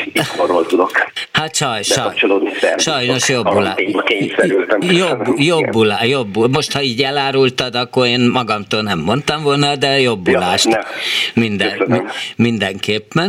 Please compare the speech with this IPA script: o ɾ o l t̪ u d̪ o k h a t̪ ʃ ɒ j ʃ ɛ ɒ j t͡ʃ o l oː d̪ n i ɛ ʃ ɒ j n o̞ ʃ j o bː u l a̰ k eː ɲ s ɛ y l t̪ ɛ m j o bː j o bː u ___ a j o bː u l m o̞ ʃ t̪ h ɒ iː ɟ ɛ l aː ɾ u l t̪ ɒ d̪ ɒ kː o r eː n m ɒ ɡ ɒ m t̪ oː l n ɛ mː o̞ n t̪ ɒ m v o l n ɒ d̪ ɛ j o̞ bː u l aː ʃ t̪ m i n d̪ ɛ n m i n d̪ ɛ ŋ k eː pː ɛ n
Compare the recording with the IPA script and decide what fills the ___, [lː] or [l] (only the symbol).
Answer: l